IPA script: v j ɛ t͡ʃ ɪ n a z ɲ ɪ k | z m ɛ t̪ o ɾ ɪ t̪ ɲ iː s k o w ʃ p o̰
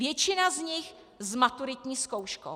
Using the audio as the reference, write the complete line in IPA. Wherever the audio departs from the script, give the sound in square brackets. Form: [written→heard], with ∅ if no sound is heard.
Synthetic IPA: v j ɛ t͡ʃ ɪ n a z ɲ ɪ [k→x] | z m [ɛ→a] t̪ [o→u] ɾ ɪ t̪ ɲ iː s k o w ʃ [p→k] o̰